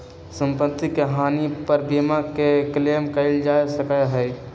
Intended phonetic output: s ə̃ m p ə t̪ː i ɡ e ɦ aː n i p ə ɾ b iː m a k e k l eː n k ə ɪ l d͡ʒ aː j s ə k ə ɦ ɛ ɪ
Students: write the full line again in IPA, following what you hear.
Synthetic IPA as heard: s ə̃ m p ə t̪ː i k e ɦ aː n i p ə ɾ b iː m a k e k l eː m k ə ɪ l d͡ʒ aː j s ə k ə ɦ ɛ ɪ